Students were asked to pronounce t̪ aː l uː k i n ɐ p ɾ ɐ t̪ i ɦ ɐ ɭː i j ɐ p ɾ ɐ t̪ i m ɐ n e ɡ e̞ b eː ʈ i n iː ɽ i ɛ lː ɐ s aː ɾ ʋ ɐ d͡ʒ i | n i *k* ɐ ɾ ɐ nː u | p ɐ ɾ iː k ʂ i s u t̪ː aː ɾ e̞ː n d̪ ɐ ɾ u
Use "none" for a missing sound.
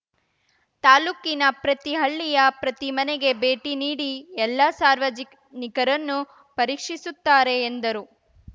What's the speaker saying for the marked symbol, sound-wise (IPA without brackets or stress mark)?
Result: k